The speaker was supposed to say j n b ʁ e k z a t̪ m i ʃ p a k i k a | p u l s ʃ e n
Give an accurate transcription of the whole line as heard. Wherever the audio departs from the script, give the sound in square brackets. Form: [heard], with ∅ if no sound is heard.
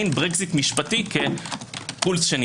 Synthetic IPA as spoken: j n b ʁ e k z [i] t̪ m i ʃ p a [t] i k [e] | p u l s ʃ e n